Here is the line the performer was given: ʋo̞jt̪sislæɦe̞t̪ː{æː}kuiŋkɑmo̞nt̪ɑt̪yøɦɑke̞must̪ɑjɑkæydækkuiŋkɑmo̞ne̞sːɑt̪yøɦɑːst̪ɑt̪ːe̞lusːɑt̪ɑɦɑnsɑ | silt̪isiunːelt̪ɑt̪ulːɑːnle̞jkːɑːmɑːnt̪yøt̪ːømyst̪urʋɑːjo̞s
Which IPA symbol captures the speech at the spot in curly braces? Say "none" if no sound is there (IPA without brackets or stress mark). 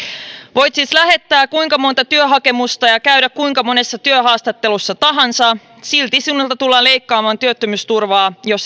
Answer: æː